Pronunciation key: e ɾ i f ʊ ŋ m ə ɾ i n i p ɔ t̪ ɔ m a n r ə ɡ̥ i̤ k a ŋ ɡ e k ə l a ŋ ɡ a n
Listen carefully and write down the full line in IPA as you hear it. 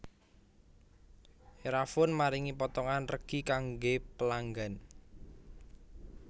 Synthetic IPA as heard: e ɾ a f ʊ n m a ɾ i ŋ i p ɔ t̪ ɔ ŋ a n r ə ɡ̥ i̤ k a ŋ ɡ e p ə l a ŋ ɡ a n